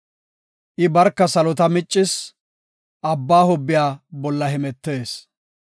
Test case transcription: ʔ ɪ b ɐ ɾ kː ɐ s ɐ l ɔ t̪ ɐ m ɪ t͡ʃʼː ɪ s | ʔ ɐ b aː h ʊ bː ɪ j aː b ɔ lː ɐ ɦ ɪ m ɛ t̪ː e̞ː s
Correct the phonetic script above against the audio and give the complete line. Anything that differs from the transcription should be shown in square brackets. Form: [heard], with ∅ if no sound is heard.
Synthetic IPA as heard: ʔ ɪ b ɐ ɾ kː ɐ s ɐ l ɔ t̪ ɐ m ɪ t͡ʃʼː ɪ s | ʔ ɐ [bː] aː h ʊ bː ɪ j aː b ɔ lː ɐ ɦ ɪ m ɛ t̪ː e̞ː s